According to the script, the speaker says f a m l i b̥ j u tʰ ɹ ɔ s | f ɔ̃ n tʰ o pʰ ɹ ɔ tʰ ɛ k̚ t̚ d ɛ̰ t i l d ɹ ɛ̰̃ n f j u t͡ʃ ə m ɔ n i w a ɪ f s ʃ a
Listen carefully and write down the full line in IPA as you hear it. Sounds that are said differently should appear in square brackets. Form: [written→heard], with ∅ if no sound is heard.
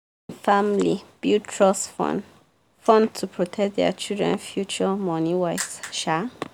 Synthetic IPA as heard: f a m l i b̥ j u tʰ ɹ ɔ s | f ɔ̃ n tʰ [o→u] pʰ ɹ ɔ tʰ ɛ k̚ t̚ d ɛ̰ [t→t͡ʃ] i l d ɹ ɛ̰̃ n f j u t͡ʃ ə m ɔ n i w a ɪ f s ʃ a